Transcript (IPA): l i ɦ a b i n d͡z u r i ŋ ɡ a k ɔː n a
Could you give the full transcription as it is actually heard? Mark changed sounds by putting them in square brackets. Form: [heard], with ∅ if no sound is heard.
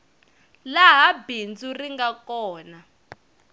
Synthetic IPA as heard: l [a] ɦ a b i n d͡z u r i ŋ ɡ a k ɔː n a